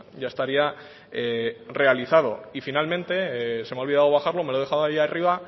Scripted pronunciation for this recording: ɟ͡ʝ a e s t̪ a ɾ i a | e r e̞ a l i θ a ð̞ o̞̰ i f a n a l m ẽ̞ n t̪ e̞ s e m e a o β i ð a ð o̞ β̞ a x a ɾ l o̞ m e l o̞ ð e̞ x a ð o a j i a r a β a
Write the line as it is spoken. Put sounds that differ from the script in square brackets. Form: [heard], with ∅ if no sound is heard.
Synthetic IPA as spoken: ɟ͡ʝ a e s t̪ a ɾ i a | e r e̞ a l i θ a ð̞ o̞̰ i f [i] n a l m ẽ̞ n t̪ e̞ s e m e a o β i ð a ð o̞ β̞ a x a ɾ l o̞ m e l o̞ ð e̞ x a ð o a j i a r [i] β a